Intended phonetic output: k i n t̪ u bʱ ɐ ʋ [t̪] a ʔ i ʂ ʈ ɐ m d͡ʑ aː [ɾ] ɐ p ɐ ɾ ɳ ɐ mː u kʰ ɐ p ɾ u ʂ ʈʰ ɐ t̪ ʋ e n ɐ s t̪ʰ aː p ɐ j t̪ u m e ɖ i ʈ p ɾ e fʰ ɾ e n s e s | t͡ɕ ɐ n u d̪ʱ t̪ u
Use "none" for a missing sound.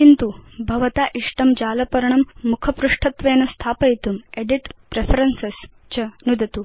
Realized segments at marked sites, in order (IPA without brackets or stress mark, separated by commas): t̪, l